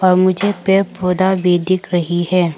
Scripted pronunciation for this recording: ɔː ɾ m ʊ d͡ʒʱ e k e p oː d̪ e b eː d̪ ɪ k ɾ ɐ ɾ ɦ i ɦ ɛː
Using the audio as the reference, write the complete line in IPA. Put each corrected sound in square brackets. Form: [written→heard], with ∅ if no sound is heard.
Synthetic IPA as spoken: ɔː ɾ m ʊ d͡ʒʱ e [k→p] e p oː d̪ [e→a] b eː d̪ ɪ k ɾ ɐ [ɾ→∅] ɦ i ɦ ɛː

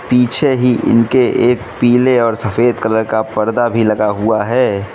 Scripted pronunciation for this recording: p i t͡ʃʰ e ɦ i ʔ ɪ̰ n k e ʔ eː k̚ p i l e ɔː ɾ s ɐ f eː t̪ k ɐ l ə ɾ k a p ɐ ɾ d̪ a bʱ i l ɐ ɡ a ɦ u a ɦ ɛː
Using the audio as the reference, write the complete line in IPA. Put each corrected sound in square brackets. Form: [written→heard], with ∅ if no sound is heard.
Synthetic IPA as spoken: p [i→iː] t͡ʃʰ e ɦ i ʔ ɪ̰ n k e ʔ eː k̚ p [i→iː] l e ɔː ɾ s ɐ f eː [t̪→d̪] k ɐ l ə ɾ k a p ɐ ɾ d̪ a bʱ i l ɐ ɡ a ɦ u a ɦ ɛː

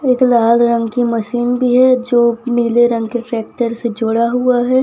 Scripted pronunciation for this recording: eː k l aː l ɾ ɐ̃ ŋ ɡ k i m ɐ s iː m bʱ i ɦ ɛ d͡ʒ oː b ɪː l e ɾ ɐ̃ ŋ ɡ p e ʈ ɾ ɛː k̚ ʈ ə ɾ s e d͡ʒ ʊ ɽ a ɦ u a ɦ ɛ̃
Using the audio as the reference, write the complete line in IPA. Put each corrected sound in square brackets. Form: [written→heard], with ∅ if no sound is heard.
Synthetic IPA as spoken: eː k l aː l ɾ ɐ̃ ŋ ɡ k i m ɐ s iː [m→n] bʱ i ɦ ɛ d͡ʒ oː [b→m] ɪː l e ɾ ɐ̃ ŋ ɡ [p→k] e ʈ ɾ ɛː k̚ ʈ ə ɾ s e d͡ʒ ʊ ɽ a ɦ u a ɦ [ɛ̃→ɛ]

